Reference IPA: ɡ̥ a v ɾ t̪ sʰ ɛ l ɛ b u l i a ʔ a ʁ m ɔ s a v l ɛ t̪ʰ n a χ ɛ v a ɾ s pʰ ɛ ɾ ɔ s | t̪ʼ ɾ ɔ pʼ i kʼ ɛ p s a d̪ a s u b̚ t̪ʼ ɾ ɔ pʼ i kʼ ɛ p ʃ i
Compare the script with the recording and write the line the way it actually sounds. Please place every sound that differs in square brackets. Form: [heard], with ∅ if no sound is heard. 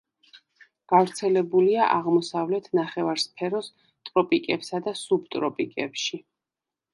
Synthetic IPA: ɡ̥ a v ɾ t̪ sʰ ɛ l ɛ b u l i a ʔ a ʁ m ɔ s a v l ɛ t̪ʰ n a χ ɛ v a ɾ s pʰ ɛ ɾ ɔ s | t̪ʼ ɾ ɔ pʼ i kʼ ɛ p s a d̪ a s u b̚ t̪ʼ ɾ ɔ pʼ i kʼ ɛ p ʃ i